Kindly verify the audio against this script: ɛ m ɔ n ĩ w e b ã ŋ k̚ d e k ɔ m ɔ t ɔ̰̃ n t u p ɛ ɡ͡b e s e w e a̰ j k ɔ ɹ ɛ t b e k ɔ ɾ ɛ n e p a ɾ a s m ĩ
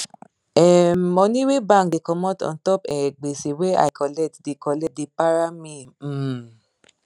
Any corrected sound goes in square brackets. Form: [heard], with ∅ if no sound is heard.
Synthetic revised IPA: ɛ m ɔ n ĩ w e b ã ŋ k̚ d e k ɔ m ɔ t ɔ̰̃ n t [ɔ] p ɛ ɡ͡b e s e w e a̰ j k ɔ [l] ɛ t [d] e k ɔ [l] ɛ [d] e p a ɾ a [∅] m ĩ